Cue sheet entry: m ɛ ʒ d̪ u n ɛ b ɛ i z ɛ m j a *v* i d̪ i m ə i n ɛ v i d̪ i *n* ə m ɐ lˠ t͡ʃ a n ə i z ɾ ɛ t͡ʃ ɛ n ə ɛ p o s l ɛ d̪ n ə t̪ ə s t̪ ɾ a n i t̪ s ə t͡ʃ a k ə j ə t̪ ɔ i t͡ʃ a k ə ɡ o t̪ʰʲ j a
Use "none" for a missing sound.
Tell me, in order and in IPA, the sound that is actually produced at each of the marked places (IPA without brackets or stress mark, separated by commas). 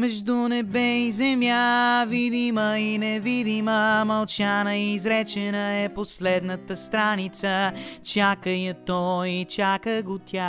v, m